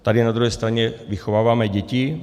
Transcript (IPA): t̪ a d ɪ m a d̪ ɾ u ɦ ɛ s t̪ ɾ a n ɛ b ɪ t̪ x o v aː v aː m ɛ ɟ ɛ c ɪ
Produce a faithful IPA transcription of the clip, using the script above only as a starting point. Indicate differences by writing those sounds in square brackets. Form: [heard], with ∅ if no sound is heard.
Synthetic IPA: t̪ a d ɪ [n] a d̪ ɾ u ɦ ɛ s t̪ ɾ a [ɲ] ɛ [v] ɪ [∅] x o v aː v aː m ɛ ɟ ɛ c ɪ